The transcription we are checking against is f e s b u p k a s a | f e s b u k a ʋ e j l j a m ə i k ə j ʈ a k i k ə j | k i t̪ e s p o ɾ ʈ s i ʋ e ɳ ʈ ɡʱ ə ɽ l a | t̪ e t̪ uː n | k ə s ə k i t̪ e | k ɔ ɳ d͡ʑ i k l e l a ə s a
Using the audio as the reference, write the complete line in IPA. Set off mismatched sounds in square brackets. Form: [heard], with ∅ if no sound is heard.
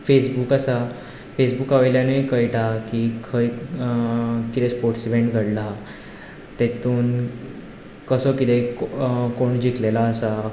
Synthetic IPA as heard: f e s b u [∅] k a s a | f e s b u k a ʋ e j l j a [n] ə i k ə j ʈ a k i [kʰ] ə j | k i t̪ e s p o ɾ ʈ s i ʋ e ɳ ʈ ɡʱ ə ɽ l a | t̪ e t̪ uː n | k ə s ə k i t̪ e | k [o] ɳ d͡ʑ i k l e l a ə s a